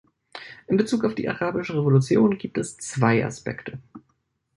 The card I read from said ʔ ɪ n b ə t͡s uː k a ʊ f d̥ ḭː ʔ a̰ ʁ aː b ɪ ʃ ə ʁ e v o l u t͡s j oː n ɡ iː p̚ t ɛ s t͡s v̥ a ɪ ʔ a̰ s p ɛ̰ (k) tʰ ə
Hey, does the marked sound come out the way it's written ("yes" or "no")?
yes